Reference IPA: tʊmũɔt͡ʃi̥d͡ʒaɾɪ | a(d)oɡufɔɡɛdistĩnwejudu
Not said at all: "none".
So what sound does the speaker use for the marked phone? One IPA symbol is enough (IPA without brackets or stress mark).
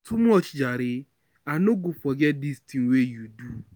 n